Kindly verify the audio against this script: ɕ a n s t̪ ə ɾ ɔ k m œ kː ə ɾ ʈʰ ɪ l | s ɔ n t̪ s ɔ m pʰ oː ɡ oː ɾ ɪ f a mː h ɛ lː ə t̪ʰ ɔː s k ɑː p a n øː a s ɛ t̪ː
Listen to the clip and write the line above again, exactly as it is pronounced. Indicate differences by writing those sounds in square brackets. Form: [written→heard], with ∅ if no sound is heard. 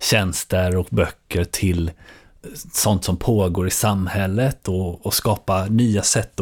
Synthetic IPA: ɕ [a→ɛ] n s t̪ ə ɾ ɔ k [m→b] œ kː ə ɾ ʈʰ ɪ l | s ɔ n t̪ s ɔ m pʰ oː ɡ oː ɾ ɪ [f→s] a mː h ɛ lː ə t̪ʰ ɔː s k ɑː p a n [øː→yː] a s ɛ t̪ː